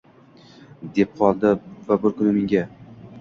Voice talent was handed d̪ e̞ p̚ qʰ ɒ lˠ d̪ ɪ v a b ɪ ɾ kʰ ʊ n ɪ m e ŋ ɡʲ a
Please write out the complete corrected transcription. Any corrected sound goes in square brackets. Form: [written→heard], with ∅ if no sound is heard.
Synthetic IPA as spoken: d̪ e̞ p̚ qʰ ɒ lˠ d̪ ɪ v a b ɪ ɾ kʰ ʊ n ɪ m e ŋ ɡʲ a